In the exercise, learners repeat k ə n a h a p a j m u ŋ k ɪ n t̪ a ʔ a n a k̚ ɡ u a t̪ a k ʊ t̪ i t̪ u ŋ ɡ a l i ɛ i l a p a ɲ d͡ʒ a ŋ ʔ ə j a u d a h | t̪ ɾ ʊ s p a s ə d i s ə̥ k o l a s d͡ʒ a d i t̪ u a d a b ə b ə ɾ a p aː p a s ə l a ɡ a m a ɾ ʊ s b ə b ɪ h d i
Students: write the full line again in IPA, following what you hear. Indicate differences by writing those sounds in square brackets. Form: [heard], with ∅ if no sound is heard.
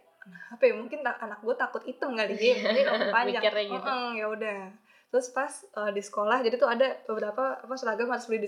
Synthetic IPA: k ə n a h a p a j m u ŋ k ɪ n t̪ a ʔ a n a k̚ ɡ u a t̪ a k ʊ t̪ i t̪ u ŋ ɡ a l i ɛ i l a p a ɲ d͡ʒ a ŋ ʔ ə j a u d a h | t̪ ɾ ʊ s p a s ə d i s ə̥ k o l a [h] d͡ʒ a d i t̪ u a d a b ə b ə ɾ a p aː p a s ə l a ɡ a m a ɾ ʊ s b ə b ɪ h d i